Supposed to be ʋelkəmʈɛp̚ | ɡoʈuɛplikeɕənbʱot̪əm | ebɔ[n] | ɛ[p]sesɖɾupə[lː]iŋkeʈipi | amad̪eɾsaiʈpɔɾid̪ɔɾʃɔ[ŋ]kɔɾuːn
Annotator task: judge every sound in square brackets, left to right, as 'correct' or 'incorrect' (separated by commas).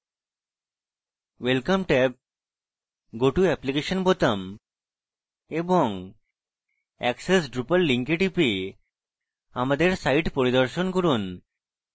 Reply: incorrect, incorrect, correct, incorrect